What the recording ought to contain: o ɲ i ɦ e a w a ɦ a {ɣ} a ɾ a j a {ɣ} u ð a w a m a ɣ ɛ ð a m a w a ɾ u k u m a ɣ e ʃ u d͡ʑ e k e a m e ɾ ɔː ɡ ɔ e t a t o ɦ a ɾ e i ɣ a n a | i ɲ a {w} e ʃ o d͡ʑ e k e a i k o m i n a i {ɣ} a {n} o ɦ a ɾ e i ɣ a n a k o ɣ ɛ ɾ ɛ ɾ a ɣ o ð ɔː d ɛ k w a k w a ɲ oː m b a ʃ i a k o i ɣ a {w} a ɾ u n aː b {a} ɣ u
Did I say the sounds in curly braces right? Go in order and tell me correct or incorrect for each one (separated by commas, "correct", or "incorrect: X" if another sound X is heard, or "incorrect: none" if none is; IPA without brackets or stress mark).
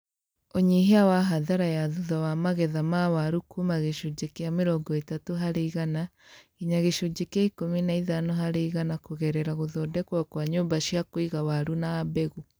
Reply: incorrect: ð, incorrect: ð, incorrect: ɣ, incorrect: ð, correct, correct, incorrect: ɛ